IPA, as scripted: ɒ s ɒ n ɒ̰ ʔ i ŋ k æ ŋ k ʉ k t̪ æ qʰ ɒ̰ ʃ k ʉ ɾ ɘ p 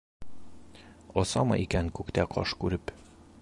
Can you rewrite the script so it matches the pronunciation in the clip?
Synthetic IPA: ɒ s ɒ m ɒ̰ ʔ i k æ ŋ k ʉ k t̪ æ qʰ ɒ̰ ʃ k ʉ ɾ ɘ p